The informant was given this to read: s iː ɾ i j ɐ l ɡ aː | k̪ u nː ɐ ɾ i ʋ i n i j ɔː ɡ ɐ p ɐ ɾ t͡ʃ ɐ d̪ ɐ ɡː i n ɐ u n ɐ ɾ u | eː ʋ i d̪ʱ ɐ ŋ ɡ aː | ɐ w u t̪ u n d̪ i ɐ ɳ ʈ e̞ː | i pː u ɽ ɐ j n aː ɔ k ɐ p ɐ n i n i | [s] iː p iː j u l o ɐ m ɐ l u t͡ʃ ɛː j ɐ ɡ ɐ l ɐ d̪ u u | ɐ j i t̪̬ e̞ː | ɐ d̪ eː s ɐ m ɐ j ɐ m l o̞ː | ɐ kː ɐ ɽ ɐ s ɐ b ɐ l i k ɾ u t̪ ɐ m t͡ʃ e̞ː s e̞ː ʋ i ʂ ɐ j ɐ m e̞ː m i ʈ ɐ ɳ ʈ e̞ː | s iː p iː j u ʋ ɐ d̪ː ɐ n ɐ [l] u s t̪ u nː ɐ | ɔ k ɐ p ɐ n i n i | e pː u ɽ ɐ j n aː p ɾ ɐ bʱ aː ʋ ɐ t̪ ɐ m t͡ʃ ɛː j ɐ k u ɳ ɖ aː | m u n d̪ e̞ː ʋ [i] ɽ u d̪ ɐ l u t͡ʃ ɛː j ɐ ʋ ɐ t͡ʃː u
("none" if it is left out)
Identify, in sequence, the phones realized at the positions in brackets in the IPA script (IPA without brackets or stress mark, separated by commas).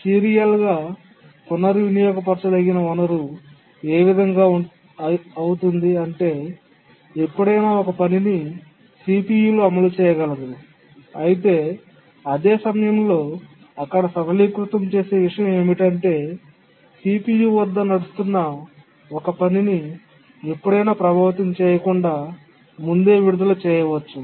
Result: s, ɽ, i